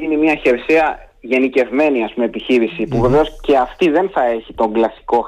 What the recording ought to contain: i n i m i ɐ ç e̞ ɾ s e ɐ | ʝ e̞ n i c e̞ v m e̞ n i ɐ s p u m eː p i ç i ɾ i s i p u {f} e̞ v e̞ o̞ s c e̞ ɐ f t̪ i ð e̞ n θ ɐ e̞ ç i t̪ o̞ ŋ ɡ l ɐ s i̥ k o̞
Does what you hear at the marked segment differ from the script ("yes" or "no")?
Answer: yes